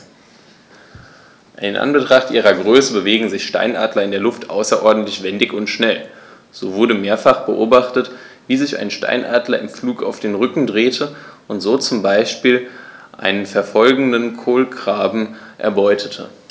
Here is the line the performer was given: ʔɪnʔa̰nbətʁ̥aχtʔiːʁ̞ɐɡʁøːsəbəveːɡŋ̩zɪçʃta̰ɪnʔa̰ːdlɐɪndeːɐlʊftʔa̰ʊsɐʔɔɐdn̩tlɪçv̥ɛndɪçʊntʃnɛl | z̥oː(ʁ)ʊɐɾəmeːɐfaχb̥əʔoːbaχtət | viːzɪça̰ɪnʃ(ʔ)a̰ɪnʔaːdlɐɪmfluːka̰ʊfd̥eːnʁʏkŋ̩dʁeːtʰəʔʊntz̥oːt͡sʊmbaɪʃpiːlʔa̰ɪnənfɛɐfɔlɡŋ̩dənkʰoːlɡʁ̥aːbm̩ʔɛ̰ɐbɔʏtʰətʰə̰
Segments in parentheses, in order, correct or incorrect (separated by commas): incorrect, incorrect